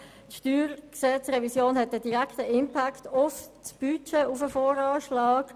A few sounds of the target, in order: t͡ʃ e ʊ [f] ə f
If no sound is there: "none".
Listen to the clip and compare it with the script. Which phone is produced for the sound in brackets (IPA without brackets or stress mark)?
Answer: f